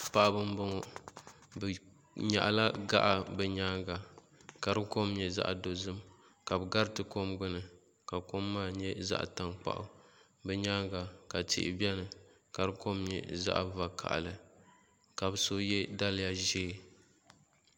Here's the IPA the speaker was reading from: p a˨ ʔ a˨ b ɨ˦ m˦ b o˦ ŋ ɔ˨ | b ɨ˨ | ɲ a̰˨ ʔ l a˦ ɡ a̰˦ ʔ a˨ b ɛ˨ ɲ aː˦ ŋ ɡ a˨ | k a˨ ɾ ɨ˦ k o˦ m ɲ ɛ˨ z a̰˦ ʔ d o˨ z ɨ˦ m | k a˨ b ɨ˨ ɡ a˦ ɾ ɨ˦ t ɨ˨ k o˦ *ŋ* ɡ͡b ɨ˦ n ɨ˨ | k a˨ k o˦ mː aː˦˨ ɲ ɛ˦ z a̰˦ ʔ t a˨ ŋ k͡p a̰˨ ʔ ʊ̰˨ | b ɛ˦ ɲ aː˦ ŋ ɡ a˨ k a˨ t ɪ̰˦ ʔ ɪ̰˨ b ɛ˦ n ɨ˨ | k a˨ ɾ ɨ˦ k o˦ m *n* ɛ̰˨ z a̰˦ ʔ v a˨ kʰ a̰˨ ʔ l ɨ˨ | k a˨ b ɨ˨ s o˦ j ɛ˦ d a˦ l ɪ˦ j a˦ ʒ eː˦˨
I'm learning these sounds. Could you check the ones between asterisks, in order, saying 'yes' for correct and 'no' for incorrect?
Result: no, no

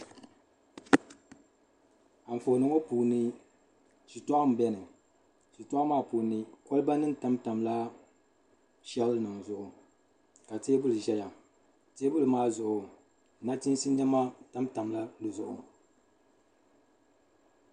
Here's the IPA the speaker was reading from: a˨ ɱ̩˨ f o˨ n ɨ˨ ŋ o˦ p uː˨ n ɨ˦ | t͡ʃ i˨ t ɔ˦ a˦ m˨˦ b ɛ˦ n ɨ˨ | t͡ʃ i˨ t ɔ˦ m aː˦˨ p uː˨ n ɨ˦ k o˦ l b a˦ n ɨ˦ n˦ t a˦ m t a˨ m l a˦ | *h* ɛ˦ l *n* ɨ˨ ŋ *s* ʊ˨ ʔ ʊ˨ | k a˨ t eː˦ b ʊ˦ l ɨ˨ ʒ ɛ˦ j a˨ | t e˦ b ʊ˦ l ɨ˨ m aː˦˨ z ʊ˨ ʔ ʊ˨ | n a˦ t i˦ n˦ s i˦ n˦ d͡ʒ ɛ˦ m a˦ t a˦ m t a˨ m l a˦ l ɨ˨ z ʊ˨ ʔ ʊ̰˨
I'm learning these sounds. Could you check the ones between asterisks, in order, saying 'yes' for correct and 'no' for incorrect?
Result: no, yes, no

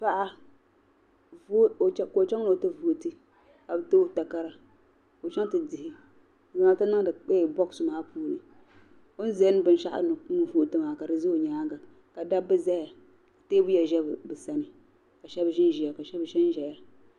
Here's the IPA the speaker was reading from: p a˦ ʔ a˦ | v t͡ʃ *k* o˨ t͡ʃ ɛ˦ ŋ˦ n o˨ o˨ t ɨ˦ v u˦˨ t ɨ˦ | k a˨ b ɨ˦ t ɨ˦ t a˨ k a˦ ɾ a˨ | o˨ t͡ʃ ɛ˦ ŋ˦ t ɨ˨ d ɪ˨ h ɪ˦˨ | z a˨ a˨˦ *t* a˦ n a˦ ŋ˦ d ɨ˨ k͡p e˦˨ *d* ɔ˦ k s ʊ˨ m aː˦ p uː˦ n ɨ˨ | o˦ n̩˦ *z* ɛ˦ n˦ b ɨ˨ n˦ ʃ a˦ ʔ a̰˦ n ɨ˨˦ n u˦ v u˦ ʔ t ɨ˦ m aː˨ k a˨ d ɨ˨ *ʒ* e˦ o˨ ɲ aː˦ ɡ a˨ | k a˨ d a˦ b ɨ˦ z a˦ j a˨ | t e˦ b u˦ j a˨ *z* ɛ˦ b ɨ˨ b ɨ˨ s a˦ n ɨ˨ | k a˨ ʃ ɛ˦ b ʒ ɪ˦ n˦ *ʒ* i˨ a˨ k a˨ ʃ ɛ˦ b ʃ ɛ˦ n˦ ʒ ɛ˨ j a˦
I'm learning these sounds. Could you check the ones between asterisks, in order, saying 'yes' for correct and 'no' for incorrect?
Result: yes, yes, no, yes, no, no, yes

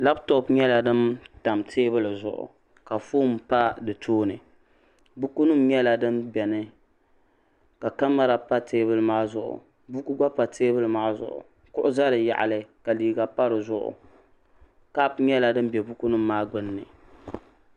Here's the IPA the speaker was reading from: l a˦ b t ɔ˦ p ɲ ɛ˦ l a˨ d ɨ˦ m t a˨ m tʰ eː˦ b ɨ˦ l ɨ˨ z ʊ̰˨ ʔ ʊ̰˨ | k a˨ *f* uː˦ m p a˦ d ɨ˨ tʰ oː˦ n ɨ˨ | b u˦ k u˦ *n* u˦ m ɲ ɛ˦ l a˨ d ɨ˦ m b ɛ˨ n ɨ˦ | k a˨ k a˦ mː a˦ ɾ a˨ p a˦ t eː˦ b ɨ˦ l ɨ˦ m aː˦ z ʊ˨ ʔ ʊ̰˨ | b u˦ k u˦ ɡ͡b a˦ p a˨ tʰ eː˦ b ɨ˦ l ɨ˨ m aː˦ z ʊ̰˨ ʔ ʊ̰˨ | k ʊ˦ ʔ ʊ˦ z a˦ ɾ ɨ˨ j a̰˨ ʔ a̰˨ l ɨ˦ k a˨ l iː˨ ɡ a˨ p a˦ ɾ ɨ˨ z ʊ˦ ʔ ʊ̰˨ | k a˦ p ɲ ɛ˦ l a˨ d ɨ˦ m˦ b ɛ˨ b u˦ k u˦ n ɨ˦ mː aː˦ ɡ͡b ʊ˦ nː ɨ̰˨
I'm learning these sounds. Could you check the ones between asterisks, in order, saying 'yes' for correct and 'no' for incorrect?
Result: yes, yes

